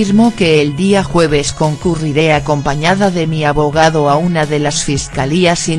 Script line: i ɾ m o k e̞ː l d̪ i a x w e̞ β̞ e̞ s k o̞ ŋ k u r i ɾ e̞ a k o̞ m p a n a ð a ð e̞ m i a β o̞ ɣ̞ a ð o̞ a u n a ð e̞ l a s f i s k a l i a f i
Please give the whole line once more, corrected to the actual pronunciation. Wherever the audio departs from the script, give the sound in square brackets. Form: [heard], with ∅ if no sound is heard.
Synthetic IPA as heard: i ɾ m o k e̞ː l d̪ i a x w e̞ β̞ e̞ s k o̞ ŋ k u r i ɾ e̞ a k o̞ m p a [ɲ] a ð a ð e̞ m i a β o̞ ɣ̞ a ð o̞ a u n a ð e̞ l a s f i s k a l i a [s] i